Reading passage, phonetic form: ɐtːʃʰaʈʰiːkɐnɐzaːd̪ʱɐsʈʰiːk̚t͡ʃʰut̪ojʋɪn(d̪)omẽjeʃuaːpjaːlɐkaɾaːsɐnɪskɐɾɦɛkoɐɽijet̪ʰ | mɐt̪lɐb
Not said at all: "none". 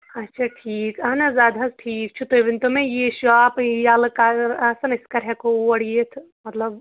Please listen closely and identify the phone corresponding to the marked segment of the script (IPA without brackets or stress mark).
t̪